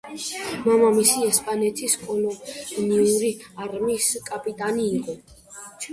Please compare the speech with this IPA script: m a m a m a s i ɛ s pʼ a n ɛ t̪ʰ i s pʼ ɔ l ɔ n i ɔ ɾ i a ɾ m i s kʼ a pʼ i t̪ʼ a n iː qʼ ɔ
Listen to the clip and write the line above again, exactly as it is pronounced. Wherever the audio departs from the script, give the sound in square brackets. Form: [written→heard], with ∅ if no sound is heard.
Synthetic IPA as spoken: m a m a m [a→i] s i ɛ s pʼ a n ɛ t̪ʰ i s [pʼ→kʼ] ɔ l ɔ n i [ɔ→u] ɾ i a ɾ m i s kʼ a pʼ i t̪ʼ a n iː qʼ ɔ

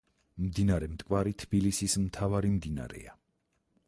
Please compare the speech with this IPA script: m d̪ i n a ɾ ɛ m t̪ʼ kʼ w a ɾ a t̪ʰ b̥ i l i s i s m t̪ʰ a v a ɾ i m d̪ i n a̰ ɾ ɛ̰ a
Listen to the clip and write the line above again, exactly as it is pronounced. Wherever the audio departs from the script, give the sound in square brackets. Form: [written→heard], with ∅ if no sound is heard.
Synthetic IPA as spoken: m d̪ i n a ɾ ɛ m t̪ʼ kʼ w a ɾ [a→i] t̪ʰ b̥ i l i s i s m t̪ʰ a v a ɾ i m d̪ i n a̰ ɾ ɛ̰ a

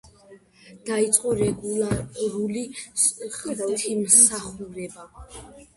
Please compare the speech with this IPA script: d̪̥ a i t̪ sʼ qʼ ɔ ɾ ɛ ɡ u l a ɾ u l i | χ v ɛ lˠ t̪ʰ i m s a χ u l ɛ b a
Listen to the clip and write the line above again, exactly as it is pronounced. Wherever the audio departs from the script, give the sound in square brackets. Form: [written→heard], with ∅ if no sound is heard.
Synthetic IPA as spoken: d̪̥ a i t̪ sʼ qʼ ɔ ɾ ɛ ɡ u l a ɾ u l i | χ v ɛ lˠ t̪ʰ i m s a χ u [l→ɾ] ɛ b a

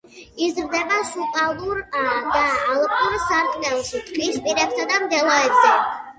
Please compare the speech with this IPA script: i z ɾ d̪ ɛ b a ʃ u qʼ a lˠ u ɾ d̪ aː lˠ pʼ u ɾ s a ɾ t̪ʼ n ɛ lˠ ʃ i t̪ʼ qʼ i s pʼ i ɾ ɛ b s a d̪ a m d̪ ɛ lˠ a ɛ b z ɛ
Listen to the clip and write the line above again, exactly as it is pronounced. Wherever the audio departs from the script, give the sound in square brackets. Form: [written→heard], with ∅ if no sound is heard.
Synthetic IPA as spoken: i z ɾ d̪ ɛ b a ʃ u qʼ a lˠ u ɾ d̪ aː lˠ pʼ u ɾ s a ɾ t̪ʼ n ɛ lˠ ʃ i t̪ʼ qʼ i s pʼ i ɾ ɛ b s a d̪ a m d̪ ɛ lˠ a ɛ b z ɛ

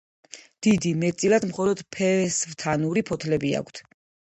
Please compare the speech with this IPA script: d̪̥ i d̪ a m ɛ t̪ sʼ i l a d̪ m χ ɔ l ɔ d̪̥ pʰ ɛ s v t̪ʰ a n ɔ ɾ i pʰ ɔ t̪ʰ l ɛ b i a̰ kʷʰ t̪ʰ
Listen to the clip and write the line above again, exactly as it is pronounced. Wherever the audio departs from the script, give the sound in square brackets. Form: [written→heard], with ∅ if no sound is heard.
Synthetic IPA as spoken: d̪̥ i d̪ [a→i] m ɛ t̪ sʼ i l a d̪ m χ ɔ l ɔ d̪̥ pʰ ɛ s v t̪ʰ a n [ɔ→u] ɾ i pʰ ɔ t̪ʰ l ɛ b i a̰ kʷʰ t̪ʰ

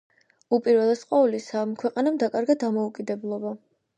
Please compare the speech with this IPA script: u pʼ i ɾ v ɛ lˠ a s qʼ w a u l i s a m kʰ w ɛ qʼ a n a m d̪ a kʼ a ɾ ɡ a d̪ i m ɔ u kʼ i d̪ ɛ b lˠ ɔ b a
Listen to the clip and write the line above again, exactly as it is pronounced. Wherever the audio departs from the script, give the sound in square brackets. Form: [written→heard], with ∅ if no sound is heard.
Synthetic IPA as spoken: u pʼ i ɾ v ɛ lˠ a s qʼ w a u l i s a m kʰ w ɛ qʼ a n a m d̪ a kʼ a ɾ ɡ a d̪ [i→a] m ɔ u kʼ i d̪ ɛ b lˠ ɔ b a

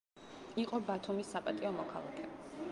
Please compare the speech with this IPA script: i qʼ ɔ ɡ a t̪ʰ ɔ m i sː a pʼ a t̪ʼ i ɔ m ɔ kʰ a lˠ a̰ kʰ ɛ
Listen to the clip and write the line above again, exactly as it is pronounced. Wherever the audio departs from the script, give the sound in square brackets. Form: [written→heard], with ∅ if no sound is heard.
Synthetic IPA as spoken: i qʼ ɔ [ɡ→b] a t̪ʰ [ɔ→u] m i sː a pʼ a t̪ʼ i ɔ m ɔ kʰ a lˠ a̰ kʰ ɛ

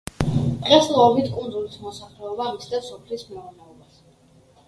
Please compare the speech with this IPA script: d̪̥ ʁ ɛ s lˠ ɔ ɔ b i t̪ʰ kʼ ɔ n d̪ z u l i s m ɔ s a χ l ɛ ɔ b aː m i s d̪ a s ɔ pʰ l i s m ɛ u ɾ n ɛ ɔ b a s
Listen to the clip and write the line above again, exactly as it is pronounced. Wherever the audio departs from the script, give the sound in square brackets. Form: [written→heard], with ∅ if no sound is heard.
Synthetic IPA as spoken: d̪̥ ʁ ɛ s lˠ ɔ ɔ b i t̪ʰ kʼ [ɔ→u] n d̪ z u l i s m ɔ s a χ l ɛ ɔ b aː m i s d̪ a s ɔ pʰ l i s m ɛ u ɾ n ɛ ɔ b a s

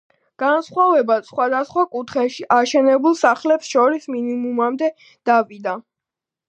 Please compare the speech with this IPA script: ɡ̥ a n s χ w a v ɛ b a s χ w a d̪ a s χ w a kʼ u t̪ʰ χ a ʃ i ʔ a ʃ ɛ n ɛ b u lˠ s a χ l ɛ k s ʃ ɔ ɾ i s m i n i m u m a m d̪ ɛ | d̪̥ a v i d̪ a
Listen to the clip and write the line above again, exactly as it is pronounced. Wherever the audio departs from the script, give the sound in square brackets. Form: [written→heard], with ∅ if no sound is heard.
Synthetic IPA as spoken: ɡ̥ a n s χ w a v ɛ b a s χ w a d̪ a s χ w a kʼ u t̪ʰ χ [a→ɛ] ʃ i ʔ a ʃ ɛ n ɛ b u lˠ s a χ l ɛ [k→p] s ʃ ɔ ɾ i s m i n i m u m a m d̪ ɛ | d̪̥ a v i d̪ a

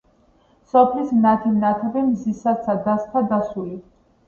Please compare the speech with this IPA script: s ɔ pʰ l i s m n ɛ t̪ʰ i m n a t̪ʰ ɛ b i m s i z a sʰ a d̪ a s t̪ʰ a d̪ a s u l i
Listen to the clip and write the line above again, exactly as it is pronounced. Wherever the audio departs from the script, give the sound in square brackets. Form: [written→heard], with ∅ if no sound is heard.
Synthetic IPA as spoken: s ɔ pʰ l i s m n [ɛ→a] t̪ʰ i m n a t̪ʰ ɛ b i m [s→z] i [z→s] a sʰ a d̪ a s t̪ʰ a d̪ a s u l i

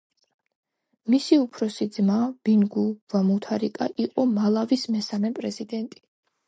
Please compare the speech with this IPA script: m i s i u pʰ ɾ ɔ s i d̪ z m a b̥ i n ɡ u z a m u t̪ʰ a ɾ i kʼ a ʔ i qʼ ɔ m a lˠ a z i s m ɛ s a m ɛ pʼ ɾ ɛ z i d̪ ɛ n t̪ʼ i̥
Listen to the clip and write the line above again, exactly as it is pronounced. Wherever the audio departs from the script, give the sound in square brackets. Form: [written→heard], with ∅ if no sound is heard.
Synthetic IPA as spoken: m i s i u pʰ ɾ ɔ s i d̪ z m a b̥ i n ɡ u [z→v] a m u t̪ʰ a ɾ i kʼ a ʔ i qʼ ɔ m a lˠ a [z→v] i s m ɛ s a m ɛ pʼ ɾ ɛ z i d̪ ɛ n t̪ʼ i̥

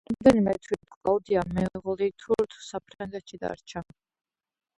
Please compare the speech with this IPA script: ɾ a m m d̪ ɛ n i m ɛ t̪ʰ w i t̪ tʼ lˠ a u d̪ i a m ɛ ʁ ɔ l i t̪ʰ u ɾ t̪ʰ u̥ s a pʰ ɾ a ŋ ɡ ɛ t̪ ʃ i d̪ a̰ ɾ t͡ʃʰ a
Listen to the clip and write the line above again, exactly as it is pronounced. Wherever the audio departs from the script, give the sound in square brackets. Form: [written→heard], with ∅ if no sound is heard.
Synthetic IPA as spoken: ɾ a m m d̪ ɛ n i m ɛ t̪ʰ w i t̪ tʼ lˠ a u d̪ i a m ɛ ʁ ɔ l i t̪ʰ u ɾ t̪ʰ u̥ s a pʰ ɾ a ŋ ɡ ɛ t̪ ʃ i d̪ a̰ ɾ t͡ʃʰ a

